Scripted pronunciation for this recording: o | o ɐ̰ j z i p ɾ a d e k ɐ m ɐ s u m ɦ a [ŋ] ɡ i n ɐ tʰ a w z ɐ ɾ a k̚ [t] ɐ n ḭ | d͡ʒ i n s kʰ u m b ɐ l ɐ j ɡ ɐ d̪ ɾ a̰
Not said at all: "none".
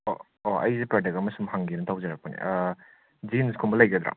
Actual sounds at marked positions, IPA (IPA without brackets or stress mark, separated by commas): ŋ, p